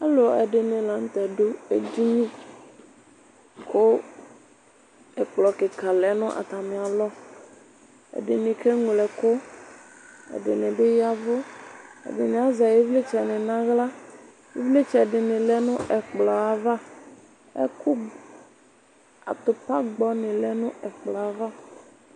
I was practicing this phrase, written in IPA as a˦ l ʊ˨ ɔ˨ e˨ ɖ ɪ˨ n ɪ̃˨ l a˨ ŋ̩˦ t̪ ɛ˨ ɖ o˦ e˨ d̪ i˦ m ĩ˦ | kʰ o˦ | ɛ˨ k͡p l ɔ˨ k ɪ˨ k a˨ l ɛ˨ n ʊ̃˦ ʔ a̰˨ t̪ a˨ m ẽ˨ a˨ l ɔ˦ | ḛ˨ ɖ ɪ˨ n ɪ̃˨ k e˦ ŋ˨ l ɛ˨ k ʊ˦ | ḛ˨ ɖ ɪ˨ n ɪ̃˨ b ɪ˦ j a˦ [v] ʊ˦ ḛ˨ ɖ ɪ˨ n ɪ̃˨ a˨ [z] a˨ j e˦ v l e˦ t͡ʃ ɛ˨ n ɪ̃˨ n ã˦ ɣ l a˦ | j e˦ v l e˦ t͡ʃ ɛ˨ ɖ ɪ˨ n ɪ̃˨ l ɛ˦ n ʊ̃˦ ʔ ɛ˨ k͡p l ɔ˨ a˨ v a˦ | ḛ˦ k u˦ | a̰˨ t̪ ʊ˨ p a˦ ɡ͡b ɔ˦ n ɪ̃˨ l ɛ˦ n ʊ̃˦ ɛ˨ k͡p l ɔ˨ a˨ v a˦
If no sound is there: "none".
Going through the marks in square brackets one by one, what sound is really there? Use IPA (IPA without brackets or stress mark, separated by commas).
v, z